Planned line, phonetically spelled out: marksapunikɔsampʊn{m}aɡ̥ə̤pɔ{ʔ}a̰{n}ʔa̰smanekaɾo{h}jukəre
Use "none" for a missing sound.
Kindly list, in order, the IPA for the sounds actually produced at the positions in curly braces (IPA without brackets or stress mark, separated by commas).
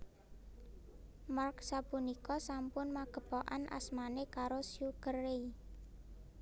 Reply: m, ʔ, n, s